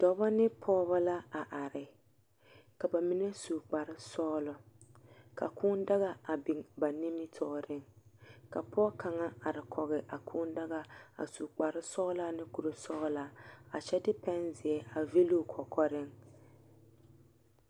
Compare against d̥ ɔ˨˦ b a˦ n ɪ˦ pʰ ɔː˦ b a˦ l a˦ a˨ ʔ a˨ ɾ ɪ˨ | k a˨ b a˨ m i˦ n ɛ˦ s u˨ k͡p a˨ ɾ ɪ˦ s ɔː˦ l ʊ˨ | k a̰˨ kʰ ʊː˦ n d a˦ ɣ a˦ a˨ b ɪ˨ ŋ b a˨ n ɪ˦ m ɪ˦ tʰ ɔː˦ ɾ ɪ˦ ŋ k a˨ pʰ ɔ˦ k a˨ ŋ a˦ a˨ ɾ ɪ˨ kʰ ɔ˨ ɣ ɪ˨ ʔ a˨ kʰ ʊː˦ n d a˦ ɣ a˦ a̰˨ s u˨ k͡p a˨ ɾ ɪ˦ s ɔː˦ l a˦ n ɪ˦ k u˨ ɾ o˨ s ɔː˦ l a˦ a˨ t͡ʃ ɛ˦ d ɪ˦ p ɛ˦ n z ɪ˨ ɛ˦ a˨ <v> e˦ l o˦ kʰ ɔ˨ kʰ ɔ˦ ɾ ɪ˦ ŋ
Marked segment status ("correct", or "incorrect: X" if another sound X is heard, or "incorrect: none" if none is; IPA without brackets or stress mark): correct